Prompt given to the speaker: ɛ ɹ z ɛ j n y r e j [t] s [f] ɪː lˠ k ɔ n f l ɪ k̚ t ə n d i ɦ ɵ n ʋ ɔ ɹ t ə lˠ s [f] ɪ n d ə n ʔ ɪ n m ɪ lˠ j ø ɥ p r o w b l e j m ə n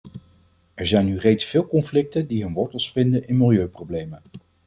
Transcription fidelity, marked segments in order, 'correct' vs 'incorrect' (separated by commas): correct, correct, correct